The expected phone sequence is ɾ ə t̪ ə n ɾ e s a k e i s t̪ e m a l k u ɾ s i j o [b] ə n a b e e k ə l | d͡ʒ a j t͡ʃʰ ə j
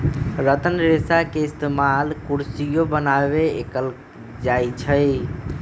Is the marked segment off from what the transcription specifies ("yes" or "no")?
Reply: no